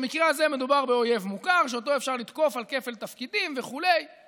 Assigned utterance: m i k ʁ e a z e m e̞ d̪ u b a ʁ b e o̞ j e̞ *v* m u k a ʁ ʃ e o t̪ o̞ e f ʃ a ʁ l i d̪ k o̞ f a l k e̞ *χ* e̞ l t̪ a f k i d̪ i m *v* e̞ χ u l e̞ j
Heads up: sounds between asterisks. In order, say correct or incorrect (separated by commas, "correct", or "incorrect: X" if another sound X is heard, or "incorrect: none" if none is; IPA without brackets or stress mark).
correct, incorrect: f, correct